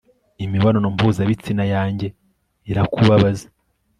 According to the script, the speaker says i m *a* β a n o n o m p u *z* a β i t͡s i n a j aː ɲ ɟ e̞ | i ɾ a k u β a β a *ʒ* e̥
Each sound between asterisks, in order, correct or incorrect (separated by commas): incorrect, correct, incorrect